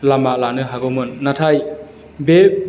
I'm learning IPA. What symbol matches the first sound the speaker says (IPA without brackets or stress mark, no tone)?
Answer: l